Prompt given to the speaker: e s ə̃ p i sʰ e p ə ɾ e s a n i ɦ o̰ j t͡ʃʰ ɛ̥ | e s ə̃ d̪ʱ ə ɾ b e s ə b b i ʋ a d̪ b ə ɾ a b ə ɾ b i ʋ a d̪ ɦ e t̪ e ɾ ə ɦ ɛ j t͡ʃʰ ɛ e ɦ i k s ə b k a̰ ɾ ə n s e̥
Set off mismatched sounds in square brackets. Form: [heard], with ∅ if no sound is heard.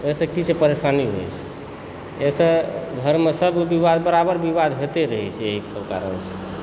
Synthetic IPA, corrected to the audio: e s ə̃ [k] i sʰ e p ə ɾ e s a n i ɦ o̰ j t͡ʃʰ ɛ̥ | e s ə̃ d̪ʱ ə ɾ [m] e s ə b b i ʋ a d̪ b ə ɾ a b ə ɾ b i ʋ a d̪ ɦ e t̪ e ɾ ə ɦ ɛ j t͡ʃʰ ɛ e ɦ i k s ə b k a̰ ɾ ə n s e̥